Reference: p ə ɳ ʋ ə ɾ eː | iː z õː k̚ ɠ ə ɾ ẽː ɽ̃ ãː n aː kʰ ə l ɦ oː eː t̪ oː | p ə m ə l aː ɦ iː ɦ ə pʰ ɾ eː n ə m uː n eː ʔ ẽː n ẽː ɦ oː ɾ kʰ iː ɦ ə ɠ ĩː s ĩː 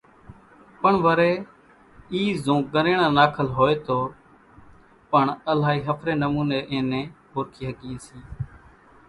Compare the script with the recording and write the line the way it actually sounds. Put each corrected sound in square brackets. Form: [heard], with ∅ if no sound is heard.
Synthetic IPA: p ə ɳ ʋ ə ɾ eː | iː z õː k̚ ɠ ə ɾ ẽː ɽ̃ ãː n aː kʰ ə l ɦ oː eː t̪ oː | p ə [ɳ] ə l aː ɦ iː ɦ ə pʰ ɾ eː n ə m uː n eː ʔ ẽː n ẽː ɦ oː ɾ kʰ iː ɦ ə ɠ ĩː s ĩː